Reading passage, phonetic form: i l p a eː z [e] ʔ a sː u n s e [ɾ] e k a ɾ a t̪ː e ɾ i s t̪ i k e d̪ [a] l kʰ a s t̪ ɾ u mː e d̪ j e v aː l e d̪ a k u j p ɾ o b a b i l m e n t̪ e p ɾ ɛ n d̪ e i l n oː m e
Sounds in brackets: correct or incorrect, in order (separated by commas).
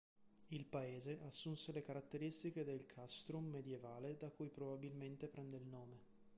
correct, incorrect, incorrect